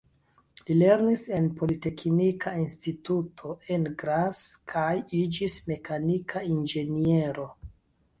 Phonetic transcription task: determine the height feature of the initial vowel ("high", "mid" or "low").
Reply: high